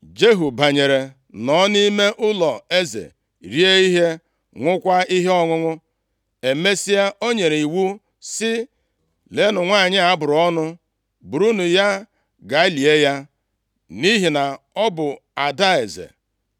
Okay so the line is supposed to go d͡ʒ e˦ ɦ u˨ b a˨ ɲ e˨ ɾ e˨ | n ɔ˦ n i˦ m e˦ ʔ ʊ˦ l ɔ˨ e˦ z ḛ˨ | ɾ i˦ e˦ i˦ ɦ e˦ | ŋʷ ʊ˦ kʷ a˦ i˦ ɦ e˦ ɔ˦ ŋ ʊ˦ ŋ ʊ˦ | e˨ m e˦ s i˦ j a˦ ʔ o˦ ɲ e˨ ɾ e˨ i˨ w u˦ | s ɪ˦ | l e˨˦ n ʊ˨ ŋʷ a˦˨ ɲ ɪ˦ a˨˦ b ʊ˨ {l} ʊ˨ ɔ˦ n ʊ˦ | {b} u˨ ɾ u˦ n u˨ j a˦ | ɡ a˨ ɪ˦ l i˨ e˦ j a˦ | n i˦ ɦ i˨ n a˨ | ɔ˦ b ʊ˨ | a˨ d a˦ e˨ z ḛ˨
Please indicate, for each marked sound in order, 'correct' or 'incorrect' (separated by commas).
incorrect, correct